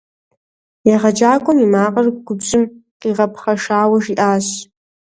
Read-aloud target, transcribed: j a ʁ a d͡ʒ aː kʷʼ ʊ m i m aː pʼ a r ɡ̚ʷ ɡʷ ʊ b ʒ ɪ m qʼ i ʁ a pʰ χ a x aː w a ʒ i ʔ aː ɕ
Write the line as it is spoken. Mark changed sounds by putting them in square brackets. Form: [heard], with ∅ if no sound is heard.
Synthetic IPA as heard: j a ʁ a d͡ʒ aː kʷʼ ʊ m i m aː [qʼ] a r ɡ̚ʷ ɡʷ ʊ b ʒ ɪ m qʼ i ʁ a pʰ χ a [ʂ] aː w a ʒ i ʔ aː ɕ